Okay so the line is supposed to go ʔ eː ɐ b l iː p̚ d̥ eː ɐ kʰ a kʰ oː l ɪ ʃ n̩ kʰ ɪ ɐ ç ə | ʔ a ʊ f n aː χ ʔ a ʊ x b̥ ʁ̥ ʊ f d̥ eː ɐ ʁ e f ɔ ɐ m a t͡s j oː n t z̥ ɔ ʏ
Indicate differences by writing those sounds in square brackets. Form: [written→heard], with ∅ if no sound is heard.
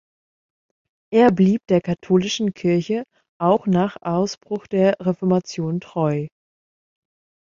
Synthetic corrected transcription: ʔ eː ɐ b l iː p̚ d̥ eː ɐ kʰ a [kʰ→tʰ] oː l ɪ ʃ n̩ kʰ ɪ ɐ ç ə | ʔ a ʊ [f→x] n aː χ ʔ a ʊ [x→s] b̥ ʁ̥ ʊ [f→x] d̥ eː ɐ ʁ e f ɔ ɐ m a t͡s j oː n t [z̥→ʁ̥] ɔ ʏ